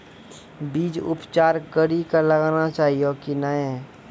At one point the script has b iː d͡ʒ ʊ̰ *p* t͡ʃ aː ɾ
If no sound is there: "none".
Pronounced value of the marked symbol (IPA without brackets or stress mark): p